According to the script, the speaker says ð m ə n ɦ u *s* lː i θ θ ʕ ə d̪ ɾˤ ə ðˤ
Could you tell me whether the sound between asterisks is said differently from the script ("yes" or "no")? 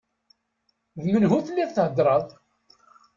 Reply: yes